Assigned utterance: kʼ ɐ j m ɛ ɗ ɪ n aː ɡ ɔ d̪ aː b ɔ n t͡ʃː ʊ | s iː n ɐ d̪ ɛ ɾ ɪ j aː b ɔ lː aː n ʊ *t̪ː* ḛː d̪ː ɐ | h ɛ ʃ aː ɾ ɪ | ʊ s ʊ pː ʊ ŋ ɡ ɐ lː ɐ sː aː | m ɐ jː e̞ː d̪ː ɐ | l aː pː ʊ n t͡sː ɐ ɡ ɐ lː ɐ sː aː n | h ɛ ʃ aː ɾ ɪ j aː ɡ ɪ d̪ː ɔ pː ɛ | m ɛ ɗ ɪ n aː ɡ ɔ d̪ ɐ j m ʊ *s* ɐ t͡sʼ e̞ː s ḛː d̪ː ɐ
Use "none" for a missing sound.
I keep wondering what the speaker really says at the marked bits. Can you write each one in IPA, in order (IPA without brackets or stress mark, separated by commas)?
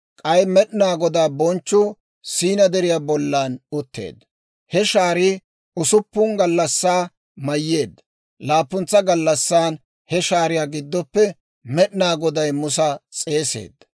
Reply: t̪ː, s